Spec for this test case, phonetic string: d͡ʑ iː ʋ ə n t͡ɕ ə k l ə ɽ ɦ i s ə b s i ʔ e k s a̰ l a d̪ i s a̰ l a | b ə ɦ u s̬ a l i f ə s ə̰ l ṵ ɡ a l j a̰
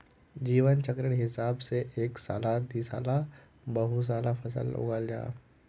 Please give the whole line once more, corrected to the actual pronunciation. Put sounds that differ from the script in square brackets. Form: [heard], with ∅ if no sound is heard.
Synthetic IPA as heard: d͡ʑ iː ʋ ə n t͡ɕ ə k [ɾ] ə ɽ ɦ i s [a] b s [e] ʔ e k s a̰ l a d̪ i s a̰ l a | b ə ɦ u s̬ a l [a] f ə s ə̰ l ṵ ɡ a l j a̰